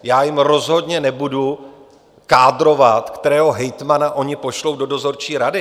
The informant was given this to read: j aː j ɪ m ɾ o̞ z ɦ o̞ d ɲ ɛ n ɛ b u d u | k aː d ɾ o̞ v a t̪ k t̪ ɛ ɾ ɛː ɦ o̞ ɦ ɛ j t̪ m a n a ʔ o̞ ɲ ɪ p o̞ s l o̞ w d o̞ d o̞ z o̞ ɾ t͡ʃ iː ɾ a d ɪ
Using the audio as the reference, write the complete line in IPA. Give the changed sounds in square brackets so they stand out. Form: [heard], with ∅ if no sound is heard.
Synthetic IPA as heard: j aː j ɪ m ɾ o̞ z ɦ o̞ d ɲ ɛ n ɛ b u d u | k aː d ɾ o̞ v a t̪ k t̪ ɛ ɾ ɛː ɦ o̞ ɦ ɛ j t̪ m a n a ʔ o̞ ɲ ɪ p o̞ [ʃ] l o̞ w d o̞ d o̞ z o̞ ɾ t͡ʃ iː ɾ a d ɪ